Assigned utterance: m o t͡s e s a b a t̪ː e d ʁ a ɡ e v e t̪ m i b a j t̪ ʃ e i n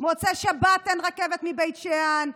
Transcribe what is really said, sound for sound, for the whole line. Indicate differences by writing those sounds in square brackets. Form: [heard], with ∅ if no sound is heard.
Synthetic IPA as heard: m o t͡s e [ʃ] a b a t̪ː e [n] ʁ a [k] e v e t̪ m i b [e] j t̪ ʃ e [a] n